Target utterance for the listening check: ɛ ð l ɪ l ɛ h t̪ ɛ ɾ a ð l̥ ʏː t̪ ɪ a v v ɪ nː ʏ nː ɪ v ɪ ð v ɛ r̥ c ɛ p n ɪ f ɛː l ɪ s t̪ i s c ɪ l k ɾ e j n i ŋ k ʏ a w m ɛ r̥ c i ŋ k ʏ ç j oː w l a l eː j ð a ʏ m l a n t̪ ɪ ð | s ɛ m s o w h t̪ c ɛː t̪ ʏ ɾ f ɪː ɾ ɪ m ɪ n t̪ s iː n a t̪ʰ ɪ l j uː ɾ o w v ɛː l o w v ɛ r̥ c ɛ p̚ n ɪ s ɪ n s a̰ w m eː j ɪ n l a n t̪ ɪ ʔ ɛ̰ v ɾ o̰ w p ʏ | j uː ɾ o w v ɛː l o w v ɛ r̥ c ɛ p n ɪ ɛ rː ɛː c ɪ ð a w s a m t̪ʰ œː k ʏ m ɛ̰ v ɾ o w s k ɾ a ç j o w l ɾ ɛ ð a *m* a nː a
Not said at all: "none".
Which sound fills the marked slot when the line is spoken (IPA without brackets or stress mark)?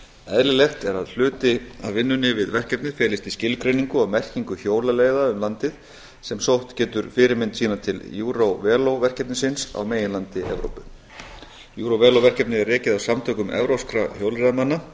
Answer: m